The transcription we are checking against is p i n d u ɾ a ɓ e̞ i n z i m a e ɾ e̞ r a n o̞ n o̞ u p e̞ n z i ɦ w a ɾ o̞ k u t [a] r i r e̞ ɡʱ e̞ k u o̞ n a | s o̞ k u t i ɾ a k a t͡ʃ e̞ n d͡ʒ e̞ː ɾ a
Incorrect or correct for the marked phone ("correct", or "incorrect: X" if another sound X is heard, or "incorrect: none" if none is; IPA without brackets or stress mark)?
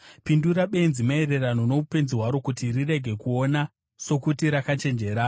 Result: incorrect: i